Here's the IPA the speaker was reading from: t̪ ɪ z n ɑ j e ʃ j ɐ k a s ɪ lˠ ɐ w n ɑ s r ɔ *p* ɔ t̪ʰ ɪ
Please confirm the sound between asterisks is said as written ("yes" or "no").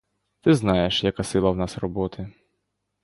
no